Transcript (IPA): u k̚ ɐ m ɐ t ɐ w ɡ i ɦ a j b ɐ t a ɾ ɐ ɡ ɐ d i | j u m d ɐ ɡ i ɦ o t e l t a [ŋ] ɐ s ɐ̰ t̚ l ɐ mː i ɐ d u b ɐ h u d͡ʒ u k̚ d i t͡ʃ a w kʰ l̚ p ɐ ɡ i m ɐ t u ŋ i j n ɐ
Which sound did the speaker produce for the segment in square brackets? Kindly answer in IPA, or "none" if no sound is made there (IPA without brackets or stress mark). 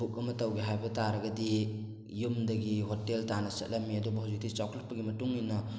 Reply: n